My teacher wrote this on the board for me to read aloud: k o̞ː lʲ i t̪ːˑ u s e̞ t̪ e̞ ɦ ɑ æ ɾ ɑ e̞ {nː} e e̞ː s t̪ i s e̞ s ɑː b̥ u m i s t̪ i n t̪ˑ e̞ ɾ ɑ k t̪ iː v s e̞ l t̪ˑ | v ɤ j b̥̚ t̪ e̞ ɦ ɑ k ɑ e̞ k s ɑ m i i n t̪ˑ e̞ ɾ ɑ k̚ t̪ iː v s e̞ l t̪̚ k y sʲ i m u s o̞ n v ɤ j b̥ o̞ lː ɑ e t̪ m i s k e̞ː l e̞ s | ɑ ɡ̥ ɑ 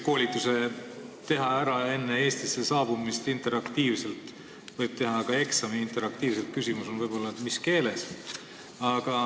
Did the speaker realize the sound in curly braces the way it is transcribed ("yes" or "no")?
yes